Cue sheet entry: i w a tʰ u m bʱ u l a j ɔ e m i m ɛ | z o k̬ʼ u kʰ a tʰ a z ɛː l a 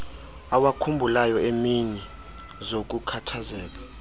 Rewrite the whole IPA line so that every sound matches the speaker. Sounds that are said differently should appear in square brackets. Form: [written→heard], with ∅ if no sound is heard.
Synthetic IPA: [i→a] w a [tʰ→kʰ] u m bʱ u l a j ɔ e m i [m→ɲ] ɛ | z o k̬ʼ u kʰ a tʰ a z ɛː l a

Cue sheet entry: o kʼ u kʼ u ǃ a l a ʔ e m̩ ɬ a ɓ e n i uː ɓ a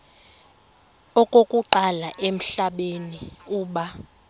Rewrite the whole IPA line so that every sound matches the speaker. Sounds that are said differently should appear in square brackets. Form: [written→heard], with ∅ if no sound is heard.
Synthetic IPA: [o→ɔ] kʼ [u→o] kʼ u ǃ a l a ʔ e m̩ ɬ a ɓ e n i uː ɓ a

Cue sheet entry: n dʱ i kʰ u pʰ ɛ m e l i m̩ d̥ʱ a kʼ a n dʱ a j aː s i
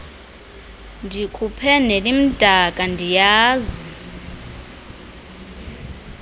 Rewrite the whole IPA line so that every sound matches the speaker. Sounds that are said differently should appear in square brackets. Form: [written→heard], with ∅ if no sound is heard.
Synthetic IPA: n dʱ i kʰ u pʰ ɛ [m→n] e l i m̩ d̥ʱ a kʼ a n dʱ [a→i] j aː [s→z] i

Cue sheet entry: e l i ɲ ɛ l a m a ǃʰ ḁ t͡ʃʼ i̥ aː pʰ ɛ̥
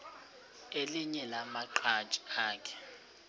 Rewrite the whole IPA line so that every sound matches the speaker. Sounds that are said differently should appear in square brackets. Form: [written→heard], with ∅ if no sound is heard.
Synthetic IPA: e l i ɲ ɛ l a m a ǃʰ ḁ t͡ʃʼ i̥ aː [pʰ→kʰ] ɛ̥

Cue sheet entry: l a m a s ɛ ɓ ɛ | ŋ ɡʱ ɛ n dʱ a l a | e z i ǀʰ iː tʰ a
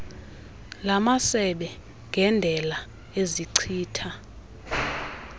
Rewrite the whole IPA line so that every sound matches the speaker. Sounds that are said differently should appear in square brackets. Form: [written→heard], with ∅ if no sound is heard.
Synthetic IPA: l a m a s ɛ ɓ ɛ | ŋ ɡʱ ɛ n dʱ [a→ɛ] l a | e z i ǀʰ iː tʰ a

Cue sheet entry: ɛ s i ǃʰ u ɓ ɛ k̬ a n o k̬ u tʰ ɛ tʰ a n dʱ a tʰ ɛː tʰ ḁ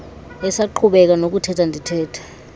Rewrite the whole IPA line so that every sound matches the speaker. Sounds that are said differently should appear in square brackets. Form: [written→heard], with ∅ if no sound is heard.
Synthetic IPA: ɛ s [i→a] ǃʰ u ɓ ɛ k̬ a n o k̬ u tʰ ɛ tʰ a n dʱ [a→i] tʰ ɛː tʰ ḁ

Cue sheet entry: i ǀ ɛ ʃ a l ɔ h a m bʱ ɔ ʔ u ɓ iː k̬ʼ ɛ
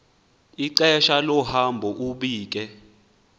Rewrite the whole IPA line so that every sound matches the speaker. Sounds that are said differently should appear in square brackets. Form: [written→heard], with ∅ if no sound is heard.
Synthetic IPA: i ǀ ɛ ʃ a l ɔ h a m bʱ ɔ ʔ u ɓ iː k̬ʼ ɛ

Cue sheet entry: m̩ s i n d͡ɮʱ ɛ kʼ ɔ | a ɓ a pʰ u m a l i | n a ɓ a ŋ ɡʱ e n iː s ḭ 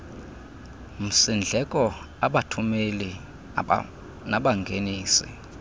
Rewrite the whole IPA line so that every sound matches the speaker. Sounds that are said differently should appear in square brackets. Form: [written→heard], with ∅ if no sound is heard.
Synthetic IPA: m̩ s i n d͡ɮʱ ɛ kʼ ɔ | a ɓ a [pʰ→tʰ] u m [a→e] l i | n a ɓ a ŋ ɡʱ e n iː s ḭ

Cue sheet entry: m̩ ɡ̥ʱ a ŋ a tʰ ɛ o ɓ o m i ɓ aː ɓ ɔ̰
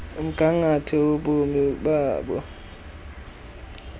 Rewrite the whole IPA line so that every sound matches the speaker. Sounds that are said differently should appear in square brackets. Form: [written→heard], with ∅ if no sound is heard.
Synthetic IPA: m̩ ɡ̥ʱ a ŋ a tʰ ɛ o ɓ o m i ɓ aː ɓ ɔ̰

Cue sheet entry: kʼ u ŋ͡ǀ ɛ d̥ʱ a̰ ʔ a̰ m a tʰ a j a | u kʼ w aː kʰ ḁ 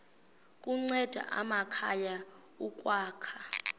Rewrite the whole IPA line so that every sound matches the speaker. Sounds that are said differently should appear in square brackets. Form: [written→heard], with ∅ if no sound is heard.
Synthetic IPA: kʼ u ŋ͡ǀ ɛ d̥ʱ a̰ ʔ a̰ m a [tʰ→kʰ] a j a | u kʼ w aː kʰ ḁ

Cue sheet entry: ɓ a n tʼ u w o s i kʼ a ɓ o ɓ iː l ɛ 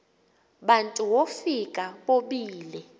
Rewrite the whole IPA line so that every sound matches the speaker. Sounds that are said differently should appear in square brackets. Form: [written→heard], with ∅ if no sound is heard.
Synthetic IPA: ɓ a n tʼ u w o [s→f] i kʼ a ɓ o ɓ iː l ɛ

